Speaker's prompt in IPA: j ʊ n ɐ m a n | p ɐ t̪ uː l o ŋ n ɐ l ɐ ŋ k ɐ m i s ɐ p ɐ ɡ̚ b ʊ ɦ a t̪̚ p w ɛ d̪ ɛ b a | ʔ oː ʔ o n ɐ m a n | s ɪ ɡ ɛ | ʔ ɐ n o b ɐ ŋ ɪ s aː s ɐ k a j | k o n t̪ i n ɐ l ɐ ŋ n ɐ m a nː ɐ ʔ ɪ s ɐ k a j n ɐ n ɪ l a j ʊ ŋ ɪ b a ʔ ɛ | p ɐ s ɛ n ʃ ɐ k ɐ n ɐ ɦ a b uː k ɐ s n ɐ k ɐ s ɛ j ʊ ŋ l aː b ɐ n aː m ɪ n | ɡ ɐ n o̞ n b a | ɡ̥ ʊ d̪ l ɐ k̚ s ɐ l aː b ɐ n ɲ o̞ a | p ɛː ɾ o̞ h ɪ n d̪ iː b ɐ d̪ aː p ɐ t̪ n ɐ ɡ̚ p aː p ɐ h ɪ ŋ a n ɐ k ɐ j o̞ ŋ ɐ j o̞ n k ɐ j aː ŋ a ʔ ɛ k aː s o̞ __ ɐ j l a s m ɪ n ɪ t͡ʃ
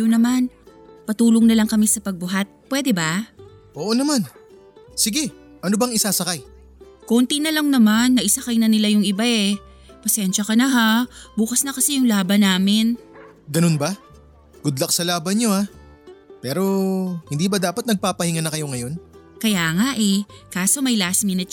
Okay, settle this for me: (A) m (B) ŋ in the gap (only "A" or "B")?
A